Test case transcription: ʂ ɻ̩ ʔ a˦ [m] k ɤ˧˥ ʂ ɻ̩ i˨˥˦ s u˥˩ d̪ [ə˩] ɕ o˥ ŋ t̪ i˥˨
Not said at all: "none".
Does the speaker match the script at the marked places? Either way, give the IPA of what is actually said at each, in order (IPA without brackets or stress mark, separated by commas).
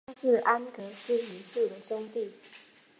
n, ə˩